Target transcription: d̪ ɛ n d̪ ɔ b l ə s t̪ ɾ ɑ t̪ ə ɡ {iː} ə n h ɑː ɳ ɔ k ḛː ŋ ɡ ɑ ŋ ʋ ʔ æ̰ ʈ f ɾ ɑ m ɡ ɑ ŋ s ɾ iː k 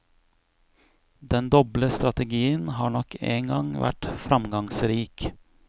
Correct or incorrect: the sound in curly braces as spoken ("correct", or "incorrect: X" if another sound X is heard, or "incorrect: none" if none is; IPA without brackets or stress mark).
correct